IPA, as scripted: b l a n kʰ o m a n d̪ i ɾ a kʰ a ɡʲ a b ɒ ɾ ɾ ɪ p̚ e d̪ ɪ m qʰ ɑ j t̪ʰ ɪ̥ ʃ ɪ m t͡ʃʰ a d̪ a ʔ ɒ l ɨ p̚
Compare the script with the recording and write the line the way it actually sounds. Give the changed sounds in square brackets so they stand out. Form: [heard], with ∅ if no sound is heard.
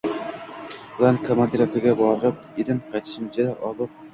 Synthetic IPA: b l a n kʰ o m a n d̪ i ɾ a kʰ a ɡʲ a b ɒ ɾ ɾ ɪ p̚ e d̪ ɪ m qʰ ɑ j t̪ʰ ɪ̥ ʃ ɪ m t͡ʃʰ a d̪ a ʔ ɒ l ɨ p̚